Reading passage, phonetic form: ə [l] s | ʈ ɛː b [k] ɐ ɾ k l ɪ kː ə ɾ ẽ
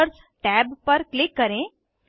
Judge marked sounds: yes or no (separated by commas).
no, no